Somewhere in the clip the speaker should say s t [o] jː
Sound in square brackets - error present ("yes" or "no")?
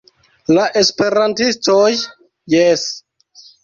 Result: no